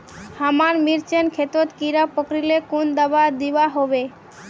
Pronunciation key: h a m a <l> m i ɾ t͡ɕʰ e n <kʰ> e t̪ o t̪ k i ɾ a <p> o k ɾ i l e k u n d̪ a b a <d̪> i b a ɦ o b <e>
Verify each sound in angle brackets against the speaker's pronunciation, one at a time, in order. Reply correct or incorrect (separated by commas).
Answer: incorrect, correct, correct, correct, correct